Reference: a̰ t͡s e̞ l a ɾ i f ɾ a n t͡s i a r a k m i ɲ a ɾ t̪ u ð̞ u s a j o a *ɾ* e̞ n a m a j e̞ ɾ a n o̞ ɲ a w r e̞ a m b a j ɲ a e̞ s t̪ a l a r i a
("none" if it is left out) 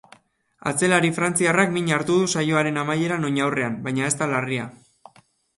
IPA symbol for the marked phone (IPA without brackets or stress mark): ɾ